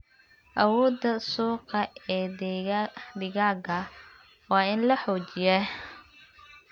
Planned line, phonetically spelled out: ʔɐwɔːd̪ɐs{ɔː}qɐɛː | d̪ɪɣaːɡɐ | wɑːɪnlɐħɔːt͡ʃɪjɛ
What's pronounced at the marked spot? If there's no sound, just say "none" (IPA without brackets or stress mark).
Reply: uː